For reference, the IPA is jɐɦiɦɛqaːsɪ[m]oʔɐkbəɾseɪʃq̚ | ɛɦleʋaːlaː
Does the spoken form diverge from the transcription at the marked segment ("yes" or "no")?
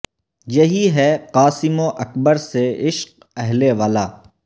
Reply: no